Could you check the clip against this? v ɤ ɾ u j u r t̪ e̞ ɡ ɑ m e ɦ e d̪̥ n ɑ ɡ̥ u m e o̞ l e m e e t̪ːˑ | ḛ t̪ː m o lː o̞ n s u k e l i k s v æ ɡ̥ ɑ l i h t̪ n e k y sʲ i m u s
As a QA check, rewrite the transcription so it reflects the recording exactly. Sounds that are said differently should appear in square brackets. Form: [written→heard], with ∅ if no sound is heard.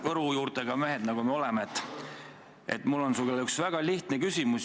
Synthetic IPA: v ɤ ɾ u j [u→uː] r t̪ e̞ ɡ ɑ m e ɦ e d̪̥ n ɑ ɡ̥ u m e o̞ l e m e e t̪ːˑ | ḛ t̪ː m [o→u] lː o̞ n s u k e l [i→y] k s v æ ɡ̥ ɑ l i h t̪ n e k y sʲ i m u s

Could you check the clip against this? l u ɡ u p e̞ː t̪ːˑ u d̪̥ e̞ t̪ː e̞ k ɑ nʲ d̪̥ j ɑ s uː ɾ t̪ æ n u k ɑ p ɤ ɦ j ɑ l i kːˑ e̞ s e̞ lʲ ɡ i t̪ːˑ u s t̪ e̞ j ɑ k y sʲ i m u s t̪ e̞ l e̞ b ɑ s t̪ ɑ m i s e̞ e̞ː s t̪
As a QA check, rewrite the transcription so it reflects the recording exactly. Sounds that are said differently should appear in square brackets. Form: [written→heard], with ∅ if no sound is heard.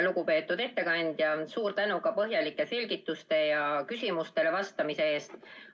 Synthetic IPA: l u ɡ u p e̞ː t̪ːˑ u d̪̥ e̞ t̪ː e̞ k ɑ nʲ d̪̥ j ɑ s uː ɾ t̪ æ n u k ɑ p ɤ ɦ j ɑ l i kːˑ e̞ s e̞ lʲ ɡ i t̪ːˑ u s t̪ e̞ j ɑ k y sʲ i m u s t̪ e̞ l e̞ [b→v] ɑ s t̪ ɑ m i s e̞ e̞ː s t̪

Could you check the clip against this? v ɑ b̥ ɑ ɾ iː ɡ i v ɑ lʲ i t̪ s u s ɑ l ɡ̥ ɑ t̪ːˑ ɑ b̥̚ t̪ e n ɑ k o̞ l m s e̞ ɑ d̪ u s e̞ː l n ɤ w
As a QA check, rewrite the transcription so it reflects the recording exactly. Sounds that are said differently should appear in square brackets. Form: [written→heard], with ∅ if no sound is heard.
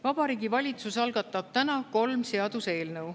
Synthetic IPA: v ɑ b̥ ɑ ɾ iː ɡ i v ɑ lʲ i t̪ s u s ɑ l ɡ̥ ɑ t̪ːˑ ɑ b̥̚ t̪ [e→æ] n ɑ k o̞ l m s e̞ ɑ d̪ u s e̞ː l n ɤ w

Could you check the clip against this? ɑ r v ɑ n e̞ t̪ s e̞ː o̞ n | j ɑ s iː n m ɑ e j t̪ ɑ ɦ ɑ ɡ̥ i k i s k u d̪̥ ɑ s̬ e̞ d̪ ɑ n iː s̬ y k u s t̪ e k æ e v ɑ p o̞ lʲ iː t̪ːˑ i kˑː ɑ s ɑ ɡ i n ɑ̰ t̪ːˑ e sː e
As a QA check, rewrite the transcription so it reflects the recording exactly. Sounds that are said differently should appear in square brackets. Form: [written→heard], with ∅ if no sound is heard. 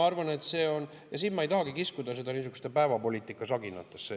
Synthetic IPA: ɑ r v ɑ n e̞ t̪ s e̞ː o̞ n | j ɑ s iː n m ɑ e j t̪ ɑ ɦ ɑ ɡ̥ i k i s k u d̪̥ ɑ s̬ e̞ d̪ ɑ n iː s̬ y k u s t̪ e [k→p] æ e v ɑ p o̞ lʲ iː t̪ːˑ i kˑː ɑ s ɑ ɡ i n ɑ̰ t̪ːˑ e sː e

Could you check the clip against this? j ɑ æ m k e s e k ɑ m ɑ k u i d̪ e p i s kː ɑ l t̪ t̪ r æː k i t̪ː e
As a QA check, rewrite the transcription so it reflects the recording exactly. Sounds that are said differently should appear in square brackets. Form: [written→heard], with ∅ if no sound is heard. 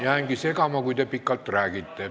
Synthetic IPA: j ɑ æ [m→ŋ] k [e→i] s e k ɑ m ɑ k u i [d̪→t̪] e p i [s→∅] kː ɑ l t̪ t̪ r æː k i t̪ː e

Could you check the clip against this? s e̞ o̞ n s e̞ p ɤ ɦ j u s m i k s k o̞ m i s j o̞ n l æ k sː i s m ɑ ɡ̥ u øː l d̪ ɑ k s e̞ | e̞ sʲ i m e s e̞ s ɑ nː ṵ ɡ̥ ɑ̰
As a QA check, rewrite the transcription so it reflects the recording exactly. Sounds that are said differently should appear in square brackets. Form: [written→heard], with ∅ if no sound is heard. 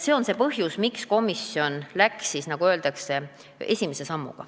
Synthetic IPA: s e̞ o̞ n s e̞ p ɤ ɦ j u s m i k s k o̞ m i s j o̞ n l æ k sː i s [m→n] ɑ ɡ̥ u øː l d̪ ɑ k s e̞ | e̞ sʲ i m e s e̞ s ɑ [nː→mː] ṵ ɡ̥ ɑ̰

